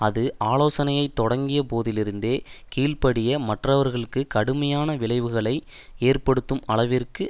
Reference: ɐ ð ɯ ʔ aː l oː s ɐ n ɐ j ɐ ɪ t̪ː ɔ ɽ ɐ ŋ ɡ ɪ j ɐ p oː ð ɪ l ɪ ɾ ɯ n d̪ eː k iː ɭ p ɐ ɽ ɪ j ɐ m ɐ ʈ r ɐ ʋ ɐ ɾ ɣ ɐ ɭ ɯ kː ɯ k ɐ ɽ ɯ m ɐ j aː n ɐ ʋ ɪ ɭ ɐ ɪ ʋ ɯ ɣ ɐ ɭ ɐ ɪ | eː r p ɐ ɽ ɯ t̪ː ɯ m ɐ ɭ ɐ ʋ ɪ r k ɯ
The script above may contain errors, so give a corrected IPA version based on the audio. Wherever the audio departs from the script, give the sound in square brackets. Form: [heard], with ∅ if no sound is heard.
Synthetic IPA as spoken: ɐ ð ɯ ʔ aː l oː s ɐ n ɐ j ɐ ɪ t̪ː ɔ ɽ ɐ ŋ ɡ ɪ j ɐ p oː ð ɪ l ɪ ɾ ɯ n d̪ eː k iː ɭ p ɐ ɽ ɪ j ɐ m ɐ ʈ r ɐ ʋ ɐ ɾ ɣ ɐ ɭ ɯ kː ɯ k ɐ ɽ ɯ m ɐ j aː n ɐ ʋ ɪ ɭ ɐ ɪ ʋ ɯ ɣ ɐ ɭ ɐ ɪ | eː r p ɐ ɽ ɯ t̪ː ɯ m ɐ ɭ ɐ ʋ ɪ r k ɯ